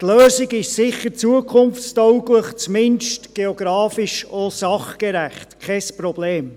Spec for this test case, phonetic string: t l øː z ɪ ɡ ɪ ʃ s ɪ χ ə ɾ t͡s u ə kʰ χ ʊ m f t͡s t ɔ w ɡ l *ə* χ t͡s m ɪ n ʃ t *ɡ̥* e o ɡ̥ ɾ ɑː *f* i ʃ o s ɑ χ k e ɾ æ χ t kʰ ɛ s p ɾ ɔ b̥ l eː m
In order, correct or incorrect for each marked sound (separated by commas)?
correct, correct, correct